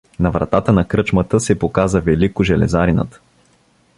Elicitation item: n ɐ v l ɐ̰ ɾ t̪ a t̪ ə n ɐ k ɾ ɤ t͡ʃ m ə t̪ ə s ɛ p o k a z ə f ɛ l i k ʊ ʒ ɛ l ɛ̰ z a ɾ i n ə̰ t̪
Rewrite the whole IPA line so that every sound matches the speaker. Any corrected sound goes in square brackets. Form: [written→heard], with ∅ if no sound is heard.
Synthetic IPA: n ɐ v [l→ɾ] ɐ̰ [ɾ→∅] t̪ a t̪ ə n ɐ k ɾ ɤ t͡ʃ m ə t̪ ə s ɛ p o k a z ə [f→v] ɛ l i k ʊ ʒ ɛ l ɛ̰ z a ɾ i n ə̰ t̪